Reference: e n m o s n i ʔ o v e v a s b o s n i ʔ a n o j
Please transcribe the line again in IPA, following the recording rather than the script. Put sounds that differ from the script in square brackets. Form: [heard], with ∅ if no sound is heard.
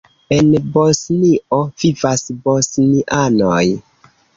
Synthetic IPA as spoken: e n [b] o s n i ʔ o v [i] v a s b o s n i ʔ a n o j